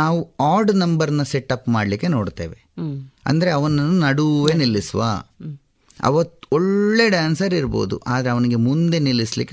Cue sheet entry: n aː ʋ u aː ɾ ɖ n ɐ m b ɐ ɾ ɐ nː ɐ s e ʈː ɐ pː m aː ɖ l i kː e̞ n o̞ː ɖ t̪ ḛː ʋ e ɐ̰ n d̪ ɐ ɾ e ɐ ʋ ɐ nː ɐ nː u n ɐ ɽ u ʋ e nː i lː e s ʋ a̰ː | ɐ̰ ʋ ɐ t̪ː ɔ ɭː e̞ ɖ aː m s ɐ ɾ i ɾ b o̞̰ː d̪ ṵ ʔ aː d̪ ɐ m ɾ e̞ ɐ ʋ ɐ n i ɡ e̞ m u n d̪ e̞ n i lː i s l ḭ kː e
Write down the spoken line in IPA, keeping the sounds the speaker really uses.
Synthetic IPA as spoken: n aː ʋ u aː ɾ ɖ n ɐ m b ɐ ɾ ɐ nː ɐ s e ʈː ɐ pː m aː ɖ l i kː e̞ n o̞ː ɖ t̪ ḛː ʋ e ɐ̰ n d̪ ɐ ɾ e ɐ ʋ ɐ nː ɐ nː u n ɐ ɽ u ʋ e n i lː i s ʋ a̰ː | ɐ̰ ʋ ɐ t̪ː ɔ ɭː e̞ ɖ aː n s ɐ ɾ i ɾ b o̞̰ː d̪ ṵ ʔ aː d̪ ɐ ɾ e̞ ɐ ʋ ɐ n i ɡ e̞ m u n d̪ e̞ n i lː i s l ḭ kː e